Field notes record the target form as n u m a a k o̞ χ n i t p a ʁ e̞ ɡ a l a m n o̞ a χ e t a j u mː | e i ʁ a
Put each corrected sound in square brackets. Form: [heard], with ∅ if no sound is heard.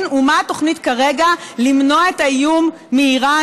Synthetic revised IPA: n u m a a [t] o̞ χ n i t [k] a ʁ e̞ ɡ a l [i] m n o̞ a [∅] e t a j u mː | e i ʁ a